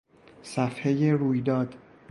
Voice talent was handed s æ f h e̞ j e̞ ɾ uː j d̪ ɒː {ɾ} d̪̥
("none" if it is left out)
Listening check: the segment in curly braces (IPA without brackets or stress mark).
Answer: none